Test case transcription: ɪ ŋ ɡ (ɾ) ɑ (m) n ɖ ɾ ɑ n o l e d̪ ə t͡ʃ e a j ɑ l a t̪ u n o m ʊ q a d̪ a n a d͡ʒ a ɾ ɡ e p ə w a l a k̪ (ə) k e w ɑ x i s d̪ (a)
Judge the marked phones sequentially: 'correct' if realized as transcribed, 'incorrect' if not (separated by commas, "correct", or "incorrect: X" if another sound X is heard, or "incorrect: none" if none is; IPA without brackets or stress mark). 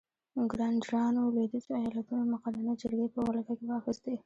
correct, incorrect: none, incorrect: a, incorrect: e